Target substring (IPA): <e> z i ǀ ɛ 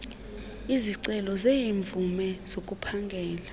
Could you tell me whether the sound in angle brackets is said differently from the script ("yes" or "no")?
yes